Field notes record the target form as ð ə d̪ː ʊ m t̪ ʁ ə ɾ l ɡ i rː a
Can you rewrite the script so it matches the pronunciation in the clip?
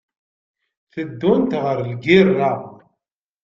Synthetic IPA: θ ə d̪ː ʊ n t̪ ʁ ə ɾ l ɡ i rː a